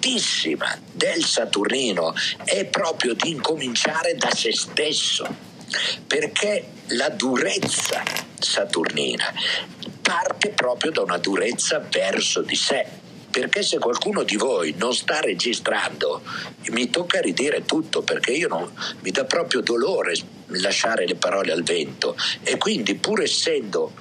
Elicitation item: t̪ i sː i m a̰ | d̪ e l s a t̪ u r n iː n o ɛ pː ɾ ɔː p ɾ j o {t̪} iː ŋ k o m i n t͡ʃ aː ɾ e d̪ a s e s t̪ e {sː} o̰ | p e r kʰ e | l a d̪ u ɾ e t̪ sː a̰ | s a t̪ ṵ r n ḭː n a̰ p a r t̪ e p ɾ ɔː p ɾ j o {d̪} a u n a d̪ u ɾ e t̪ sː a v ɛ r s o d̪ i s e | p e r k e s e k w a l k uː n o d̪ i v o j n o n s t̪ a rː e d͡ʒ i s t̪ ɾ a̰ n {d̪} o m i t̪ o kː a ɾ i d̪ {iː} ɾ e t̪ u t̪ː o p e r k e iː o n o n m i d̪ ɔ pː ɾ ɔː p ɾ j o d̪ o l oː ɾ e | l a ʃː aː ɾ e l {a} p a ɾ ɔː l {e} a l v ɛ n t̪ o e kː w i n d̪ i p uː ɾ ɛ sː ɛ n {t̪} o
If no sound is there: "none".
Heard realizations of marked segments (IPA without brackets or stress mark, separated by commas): d̪, sː, d̪, d̪, iː, e, e, d̪